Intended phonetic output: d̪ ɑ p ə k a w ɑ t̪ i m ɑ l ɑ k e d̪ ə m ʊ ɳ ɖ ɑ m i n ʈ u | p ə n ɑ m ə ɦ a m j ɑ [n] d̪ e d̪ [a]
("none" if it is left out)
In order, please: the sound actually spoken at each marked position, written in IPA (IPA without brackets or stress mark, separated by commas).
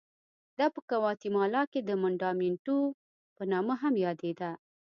none, a